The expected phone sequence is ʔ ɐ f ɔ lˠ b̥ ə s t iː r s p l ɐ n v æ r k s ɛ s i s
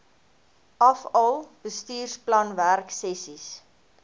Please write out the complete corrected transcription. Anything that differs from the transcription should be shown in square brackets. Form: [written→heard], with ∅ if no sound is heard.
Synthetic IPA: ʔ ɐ f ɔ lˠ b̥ ə s t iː r s p l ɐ n v æ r k s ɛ s i s